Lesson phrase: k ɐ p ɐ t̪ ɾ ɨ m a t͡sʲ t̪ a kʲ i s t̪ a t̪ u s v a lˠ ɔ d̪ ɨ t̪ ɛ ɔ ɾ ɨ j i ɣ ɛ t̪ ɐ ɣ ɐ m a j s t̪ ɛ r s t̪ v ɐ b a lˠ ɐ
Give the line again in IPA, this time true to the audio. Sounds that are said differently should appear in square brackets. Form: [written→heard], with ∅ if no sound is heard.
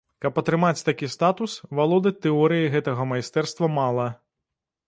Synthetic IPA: k ɐ p ɐ t̪ ɾ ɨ m a t͡sʲ t̪ a kʲ i s t̪ a t̪ u s v a lˠ ɔ d̪ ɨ t̪ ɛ ɔ ɾ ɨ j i ɣ ɛ t̪ ɐ ɣ ɐ m a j s t̪ ɛ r s t̪ v ɐ [b→m] a lˠ ɐ